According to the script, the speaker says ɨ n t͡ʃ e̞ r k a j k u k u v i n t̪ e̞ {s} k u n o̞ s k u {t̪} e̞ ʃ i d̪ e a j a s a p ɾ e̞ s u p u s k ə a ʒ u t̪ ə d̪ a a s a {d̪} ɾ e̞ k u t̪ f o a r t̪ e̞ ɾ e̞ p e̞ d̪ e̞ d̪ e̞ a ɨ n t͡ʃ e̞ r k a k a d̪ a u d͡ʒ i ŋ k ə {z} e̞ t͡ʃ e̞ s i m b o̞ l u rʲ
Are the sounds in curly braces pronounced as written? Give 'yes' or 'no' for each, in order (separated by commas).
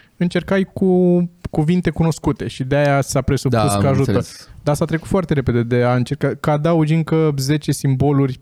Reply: no, yes, no, yes